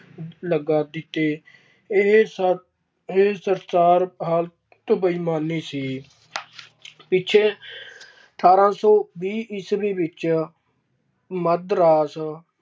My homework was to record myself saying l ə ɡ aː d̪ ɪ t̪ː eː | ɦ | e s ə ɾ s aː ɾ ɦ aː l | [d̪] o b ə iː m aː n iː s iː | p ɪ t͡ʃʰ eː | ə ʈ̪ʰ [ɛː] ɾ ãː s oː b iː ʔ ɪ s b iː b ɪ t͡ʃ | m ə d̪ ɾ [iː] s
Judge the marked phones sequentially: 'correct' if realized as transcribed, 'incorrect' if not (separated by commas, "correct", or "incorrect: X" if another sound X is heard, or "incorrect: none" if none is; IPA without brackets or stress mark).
incorrect: t̪, incorrect: aː, incorrect: aː